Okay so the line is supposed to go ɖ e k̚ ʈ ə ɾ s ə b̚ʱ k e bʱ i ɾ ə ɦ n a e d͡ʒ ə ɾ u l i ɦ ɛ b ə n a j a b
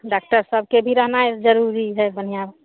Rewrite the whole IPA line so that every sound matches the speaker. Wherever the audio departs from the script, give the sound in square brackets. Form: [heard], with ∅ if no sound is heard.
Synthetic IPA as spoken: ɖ [a] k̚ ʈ ə ɾ s ə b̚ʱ k e bʱ i ɾ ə ɦ n a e d͡ʒ ə ɾ u [ɾ] i ɦ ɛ b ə n [i] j a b